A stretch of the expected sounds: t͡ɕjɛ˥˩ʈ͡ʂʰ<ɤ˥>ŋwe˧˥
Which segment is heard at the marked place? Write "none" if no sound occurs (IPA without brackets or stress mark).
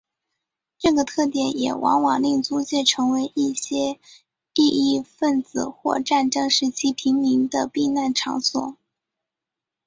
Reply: ɤ˧˥